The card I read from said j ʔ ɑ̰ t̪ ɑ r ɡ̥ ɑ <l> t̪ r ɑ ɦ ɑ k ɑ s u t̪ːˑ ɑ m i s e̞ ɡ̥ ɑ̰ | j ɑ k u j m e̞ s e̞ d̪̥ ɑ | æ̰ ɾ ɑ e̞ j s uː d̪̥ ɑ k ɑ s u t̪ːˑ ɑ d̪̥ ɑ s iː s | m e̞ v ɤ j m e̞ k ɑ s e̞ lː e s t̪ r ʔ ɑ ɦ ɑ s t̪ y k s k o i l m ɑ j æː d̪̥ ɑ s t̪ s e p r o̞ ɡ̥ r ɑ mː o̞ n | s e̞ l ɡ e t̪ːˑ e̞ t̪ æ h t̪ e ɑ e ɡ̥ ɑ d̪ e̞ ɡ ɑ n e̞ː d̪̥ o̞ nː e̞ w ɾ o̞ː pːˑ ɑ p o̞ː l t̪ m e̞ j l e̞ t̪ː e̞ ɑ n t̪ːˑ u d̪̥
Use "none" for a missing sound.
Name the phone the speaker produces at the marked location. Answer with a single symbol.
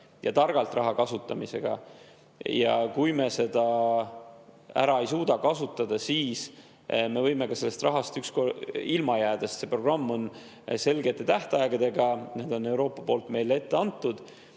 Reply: l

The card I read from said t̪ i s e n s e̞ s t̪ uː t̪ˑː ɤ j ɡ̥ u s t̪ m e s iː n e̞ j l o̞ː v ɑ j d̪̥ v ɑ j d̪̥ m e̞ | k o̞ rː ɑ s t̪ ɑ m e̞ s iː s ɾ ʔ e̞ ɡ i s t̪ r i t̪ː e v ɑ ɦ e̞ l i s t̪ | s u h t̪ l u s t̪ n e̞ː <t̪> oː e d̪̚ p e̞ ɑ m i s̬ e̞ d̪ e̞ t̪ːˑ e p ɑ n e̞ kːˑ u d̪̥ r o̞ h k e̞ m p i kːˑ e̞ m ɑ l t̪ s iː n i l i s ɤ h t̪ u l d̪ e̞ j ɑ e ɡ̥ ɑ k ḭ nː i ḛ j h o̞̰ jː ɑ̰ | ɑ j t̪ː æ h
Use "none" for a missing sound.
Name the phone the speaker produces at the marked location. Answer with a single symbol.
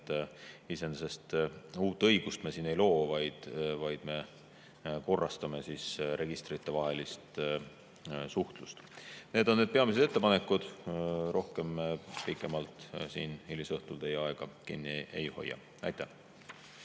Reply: d̪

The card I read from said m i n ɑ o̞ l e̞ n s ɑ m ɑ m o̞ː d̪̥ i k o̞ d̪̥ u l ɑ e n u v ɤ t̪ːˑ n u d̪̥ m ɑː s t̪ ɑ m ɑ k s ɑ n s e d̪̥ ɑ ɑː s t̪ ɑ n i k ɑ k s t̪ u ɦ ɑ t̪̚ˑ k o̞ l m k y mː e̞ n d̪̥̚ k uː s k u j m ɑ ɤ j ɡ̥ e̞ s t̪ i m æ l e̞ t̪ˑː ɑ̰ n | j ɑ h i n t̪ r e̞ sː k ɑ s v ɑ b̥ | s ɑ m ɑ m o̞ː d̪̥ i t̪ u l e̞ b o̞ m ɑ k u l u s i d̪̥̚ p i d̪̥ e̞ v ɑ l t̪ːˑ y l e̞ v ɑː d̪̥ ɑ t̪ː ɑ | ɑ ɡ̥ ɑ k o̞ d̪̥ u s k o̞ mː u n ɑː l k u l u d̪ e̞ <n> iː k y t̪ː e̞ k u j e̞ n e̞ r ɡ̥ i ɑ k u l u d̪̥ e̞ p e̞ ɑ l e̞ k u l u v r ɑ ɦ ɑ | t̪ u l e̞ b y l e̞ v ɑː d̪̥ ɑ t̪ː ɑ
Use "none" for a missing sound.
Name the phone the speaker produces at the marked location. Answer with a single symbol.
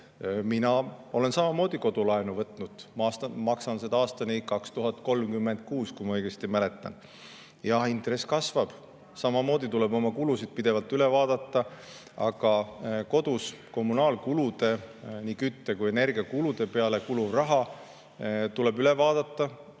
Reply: n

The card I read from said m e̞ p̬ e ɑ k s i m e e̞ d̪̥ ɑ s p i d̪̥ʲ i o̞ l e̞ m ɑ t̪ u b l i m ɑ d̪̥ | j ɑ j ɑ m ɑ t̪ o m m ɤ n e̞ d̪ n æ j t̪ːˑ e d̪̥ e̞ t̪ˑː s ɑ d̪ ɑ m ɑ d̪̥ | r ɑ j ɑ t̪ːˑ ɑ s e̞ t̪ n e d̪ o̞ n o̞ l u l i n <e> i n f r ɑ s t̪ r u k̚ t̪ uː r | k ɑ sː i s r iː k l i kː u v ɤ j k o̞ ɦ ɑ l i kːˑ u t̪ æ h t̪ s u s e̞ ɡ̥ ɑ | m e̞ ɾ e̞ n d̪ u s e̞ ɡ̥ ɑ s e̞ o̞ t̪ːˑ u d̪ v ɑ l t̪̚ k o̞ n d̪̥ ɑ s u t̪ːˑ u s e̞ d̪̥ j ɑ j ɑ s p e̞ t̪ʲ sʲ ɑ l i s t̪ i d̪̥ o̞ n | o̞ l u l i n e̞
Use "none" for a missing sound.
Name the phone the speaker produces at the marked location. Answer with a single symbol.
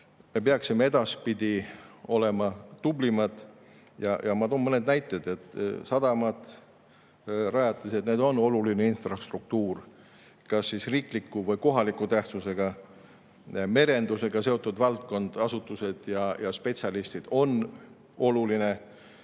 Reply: e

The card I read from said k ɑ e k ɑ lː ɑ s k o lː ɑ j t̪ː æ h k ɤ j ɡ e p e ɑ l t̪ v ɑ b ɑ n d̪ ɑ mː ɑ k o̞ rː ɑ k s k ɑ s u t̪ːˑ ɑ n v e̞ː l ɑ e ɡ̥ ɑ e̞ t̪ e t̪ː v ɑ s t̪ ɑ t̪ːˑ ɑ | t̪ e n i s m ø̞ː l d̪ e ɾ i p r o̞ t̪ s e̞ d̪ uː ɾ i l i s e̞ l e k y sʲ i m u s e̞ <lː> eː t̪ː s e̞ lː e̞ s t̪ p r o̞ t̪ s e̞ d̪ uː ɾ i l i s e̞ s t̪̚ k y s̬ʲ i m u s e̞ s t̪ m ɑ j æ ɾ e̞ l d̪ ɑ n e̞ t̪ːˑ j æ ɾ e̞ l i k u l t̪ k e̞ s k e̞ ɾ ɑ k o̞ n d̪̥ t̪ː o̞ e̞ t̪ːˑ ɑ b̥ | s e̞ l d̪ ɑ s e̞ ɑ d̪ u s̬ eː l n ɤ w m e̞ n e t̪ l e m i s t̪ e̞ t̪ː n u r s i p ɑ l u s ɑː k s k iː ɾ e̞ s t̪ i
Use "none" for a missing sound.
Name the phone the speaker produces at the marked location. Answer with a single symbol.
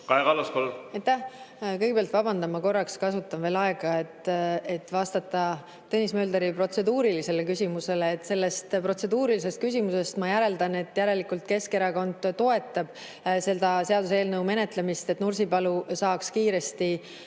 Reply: l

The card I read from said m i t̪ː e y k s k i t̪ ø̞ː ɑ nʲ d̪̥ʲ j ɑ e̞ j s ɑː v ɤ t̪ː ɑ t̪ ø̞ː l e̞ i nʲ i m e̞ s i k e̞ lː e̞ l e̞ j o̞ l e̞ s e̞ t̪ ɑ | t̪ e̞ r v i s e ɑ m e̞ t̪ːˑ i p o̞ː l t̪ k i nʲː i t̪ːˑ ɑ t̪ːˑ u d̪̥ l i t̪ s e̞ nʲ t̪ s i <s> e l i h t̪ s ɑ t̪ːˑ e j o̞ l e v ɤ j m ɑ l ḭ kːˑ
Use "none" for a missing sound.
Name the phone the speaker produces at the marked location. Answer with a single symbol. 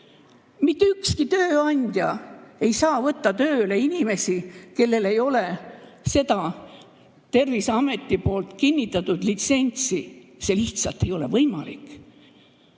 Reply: s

